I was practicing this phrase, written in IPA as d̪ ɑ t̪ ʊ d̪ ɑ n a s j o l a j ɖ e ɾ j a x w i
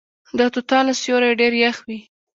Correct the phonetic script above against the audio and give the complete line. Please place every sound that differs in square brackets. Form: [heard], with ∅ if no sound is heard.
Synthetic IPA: d̪ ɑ t̪ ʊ [t̪] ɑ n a s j o [ɾ] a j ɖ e ɾ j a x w i